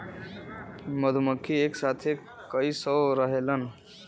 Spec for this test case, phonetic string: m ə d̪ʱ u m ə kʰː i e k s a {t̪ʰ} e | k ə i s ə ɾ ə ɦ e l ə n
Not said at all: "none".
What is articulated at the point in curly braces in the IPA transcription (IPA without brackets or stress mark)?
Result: t̪ʰ